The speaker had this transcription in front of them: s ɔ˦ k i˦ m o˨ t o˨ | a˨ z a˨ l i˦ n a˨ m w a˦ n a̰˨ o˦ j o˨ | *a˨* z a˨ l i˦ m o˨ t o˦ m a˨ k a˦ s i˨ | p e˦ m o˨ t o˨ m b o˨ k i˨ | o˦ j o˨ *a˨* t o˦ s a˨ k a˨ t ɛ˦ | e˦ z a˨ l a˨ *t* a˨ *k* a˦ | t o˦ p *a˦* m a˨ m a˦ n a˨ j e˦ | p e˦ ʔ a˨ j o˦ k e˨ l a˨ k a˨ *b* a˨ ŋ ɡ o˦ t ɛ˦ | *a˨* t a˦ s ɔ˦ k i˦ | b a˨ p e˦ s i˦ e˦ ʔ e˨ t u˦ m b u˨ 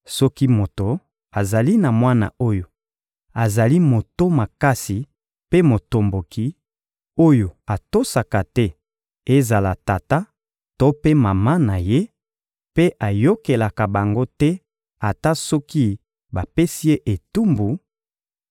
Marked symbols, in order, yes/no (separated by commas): yes, yes, yes, no, no, yes, yes